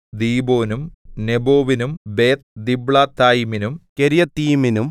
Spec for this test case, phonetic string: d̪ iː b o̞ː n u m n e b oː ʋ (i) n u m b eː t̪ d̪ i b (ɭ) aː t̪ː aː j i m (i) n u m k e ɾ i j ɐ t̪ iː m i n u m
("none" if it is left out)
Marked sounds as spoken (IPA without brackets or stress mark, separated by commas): i, ɭ, i